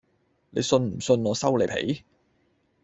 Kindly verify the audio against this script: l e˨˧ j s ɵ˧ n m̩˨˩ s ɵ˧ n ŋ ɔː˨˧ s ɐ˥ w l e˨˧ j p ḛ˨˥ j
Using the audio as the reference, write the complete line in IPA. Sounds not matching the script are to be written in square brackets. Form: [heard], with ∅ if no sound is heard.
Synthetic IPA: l e˨˧ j s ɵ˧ n m̩˨˩ s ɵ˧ n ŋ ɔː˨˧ s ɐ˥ w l e˨˧ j [pʰ] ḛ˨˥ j